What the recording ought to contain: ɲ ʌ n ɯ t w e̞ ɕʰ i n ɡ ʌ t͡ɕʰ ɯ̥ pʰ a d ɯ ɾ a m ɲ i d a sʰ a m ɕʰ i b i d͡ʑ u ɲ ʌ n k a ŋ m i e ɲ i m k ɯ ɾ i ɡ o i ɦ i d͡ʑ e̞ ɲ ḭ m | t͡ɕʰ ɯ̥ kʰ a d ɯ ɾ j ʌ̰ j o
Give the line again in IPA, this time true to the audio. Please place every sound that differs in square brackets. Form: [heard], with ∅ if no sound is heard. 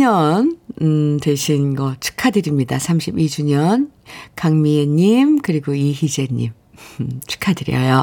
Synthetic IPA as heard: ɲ ʌ n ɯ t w e̞ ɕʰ i n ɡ ʌ t͡ɕʰ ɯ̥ [kʰ] a d ɯ ɾ [i] m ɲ i d a sʰ a m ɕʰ i b i d͡ʑ u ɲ ʌ n k a ŋ m i e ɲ i m k ɯ ɾ i ɡ o i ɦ i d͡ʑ e̞ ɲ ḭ m | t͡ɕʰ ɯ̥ kʰ a d ɯ ɾ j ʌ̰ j o